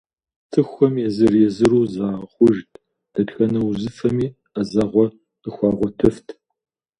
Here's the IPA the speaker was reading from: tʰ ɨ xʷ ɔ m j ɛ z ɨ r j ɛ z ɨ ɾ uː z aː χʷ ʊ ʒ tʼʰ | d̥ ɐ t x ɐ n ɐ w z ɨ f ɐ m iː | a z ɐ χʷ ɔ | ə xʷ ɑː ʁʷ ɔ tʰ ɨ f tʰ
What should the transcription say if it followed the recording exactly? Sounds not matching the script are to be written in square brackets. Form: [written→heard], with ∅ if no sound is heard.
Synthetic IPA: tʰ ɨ xʷ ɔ m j ɛ z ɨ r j ɛ z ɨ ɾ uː z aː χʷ ʊ ʒ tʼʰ | d̥ ɐ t x ɐ n ɐ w z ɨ f ɐ m iː | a z ɐ [χʷ→ʁʷ] ɔ | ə xʷ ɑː ʁʷ ɔ tʰ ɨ f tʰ